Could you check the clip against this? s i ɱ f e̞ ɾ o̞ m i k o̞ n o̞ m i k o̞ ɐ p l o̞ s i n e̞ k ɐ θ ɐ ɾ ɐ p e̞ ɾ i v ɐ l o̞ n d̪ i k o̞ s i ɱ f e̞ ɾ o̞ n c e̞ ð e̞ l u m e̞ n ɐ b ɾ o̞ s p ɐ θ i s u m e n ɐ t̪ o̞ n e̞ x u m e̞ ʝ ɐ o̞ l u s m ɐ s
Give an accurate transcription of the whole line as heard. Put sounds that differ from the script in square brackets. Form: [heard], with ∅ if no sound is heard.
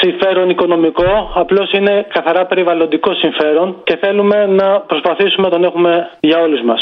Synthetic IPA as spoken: s i ɱ f e̞ ɾ o̞ [n] i k o̞ n o̞ m i k o̞ ɐ p l o̞ s i n e̞ k ɐ θ ɐ ɾ ɐ p e̞ ɾ i v ɐ l o̞ n d̪ i k o̞ s i ɱ f e̞ ɾ o̞ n c e̞ [θ] e̞ l u m e̞ n ɐ [p] ɾ o̞ s p ɐ θ i s u m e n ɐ t̪ o̞ n e̞ x u m e̞ ʝ ɐ o̞ l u [z] m ɐ s